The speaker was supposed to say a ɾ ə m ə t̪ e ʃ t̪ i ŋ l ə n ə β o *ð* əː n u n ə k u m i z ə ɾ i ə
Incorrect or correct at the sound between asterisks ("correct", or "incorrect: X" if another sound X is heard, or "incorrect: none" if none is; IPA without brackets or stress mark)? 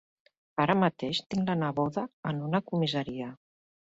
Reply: correct